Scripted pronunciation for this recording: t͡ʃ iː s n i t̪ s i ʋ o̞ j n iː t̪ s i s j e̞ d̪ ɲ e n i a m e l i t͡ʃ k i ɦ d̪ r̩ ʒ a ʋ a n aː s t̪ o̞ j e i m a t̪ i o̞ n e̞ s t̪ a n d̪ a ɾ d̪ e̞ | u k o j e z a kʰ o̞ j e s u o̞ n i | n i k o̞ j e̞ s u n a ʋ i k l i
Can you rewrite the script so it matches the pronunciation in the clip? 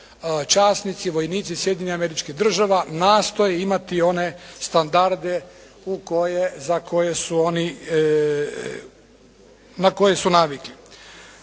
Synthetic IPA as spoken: t͡ʃ aː s n i t̪ s i ʋ o̞ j n iː t̪ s i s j e̞ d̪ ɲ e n i a m e ɾ i t͡ʃ k i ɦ d̪ r̩ ʒ a ʋ a n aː s t̪ o̞ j e i m a t̪ i o̞ n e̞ s t̪ a n d̪ a ɾ d̪ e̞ | u k o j e z a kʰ o̞ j e s u o̞ n i | n a k o̞ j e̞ s u n a ʋ i k l i